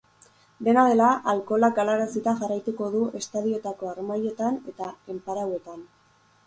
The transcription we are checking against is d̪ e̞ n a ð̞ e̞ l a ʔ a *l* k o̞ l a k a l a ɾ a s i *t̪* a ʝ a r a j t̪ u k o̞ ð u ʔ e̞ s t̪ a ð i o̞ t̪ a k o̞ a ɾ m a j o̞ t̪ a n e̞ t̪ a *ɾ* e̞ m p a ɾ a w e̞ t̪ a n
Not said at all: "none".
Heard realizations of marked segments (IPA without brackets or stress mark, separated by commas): l, t̪, none